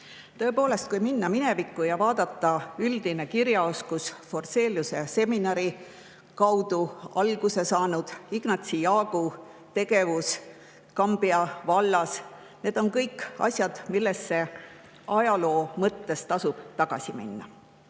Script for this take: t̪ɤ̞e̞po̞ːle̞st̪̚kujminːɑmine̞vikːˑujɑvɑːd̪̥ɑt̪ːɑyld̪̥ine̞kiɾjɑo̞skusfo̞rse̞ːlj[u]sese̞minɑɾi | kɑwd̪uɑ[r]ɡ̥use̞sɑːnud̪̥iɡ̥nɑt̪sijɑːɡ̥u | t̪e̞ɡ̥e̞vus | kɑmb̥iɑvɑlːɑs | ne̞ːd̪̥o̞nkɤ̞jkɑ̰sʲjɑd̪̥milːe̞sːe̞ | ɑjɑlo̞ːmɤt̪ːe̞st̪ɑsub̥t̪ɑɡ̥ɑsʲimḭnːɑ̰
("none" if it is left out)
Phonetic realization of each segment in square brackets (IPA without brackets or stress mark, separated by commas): u, l